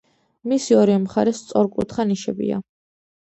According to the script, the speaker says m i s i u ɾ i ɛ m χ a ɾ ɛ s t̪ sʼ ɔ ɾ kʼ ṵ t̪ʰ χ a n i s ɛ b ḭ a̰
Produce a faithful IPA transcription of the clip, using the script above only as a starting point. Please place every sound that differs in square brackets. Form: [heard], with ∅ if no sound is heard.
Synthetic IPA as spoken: m i s i [ɔ] ɾ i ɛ m χ a ɾ ɛ s t̪ sʼ ɔ ɾ kʼ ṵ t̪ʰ χ a n i [ʃ] ɛ b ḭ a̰

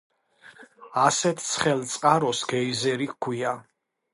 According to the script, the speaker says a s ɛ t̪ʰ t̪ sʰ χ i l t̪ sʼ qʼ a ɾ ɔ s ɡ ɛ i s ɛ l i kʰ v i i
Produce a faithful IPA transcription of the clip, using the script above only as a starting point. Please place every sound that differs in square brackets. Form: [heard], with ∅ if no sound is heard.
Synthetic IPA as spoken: a s ɛ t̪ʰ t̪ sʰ χ [ɛ] l t̪ sʼ qʼ a ɾ ɔ s ɡ ɛ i [z] ɛ [ɾ] i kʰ [w] i [a]

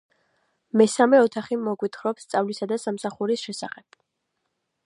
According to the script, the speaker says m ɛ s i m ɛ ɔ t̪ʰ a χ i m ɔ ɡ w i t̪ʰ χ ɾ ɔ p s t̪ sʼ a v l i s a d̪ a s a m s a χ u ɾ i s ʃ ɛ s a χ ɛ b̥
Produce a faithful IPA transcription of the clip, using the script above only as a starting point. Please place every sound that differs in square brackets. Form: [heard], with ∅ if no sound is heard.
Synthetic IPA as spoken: m ɛ s [a] m ɛ ɔ t̪ʰ a χ i m ɔ ɡ w i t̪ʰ χ ɾ ɔ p s t̪ sʼ a v l i s a d̪ a s a m s a χ u ɾ i s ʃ ɛ s a χ ɛ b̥

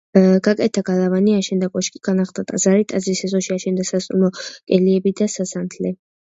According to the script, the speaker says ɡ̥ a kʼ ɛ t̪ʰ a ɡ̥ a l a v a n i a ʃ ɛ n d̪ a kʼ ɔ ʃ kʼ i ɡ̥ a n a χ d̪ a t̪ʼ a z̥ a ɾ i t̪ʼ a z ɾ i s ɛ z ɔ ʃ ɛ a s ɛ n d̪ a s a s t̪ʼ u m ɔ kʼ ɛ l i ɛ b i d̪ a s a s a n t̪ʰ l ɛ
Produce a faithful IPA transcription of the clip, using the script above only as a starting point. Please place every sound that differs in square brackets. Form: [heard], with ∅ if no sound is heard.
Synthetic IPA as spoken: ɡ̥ a kʼ ɛ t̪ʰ a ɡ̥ a l a v a n i a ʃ ɛ n d̪ a kʼ ɔ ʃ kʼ i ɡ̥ a n a χ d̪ a t̪ʼ a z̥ a ɾ i t̪ʼ a z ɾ i s ɛ z ɔ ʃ [i] a [ʃ] ɛ n d̪ a s a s t̪ʼ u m ɔ kʼ ɛ l i ɛ b i d̪ a s a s a n t̪ʰ l ɛ

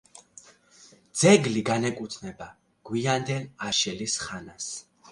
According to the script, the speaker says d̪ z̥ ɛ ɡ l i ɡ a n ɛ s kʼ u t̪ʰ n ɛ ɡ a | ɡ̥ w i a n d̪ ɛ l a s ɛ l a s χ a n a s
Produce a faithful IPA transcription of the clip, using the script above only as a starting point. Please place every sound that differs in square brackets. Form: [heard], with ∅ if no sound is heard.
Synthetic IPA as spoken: d̪ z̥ ɛ ɡ l i ɡ a n ɛ [∅] kʼ u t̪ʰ n ɛ [b] a | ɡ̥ w i a n d̪ ɛ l a [ʃ] ɛ l [i] s χ a n a s

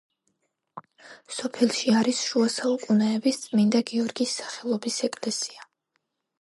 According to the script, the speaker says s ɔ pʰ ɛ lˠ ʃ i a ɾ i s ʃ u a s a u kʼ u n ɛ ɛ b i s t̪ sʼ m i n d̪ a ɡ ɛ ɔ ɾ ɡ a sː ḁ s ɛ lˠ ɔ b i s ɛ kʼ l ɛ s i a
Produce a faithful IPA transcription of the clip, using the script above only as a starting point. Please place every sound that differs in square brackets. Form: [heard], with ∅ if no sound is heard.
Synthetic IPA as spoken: s ɔ pʰ ɛ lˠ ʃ i a ɾ i s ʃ u a s a u kʼ u n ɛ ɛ b i s t̪ sʼ m i n d̪ a ɡ [i] ɔ ɾ ɡ [i] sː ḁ [χ] ɛ lˠ ɔ b i s ɛ kʼ l ɛ s i a

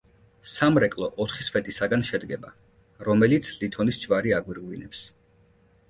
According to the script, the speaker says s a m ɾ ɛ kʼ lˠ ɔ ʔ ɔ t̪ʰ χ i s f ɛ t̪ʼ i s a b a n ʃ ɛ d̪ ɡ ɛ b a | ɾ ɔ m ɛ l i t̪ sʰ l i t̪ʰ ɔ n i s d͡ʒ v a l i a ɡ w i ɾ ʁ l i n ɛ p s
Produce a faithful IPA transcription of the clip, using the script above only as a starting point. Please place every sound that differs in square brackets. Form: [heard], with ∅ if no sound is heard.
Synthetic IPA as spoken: s a m ɾ ɛ kʼ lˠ ɔ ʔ ɔ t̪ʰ χ i s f ɛ t̪ʼ i s a [ɡ] a n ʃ ɛ d̪ ɡ ɛ b a | ɾ ɔ m ɛ l i t̪ sʰ l i t̪ʰ ɔ n i s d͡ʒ v a [ɾ] i a ɡ w i ɾ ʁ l i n ɛ p s

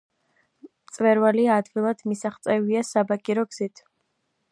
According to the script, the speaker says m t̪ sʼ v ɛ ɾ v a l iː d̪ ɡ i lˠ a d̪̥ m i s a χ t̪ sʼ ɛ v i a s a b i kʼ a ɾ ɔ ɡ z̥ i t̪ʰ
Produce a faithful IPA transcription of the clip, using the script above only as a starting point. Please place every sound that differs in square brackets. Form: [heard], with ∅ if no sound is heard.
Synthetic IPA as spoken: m t̪ sʼ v ɛ ɾ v a l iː d̪ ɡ i lˠ a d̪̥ m i s a χ t̪ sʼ ɛ v i a s a b [a] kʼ [i] ɾ ɔ ɡ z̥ i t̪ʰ

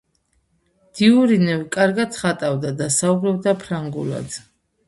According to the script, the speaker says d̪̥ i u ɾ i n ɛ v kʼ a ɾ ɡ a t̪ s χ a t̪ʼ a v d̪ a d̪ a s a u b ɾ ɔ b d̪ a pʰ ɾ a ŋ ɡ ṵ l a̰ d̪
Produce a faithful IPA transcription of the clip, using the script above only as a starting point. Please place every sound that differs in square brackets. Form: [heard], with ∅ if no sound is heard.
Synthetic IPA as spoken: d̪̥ i u ɾ i n ɛ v kʼ a ɾ ɡ a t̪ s χ a t̪ʼ a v d̪ a d̪ a s a u b ɾ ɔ b d̪ a pʰ ɾ a ŋ ɡ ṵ l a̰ d̪

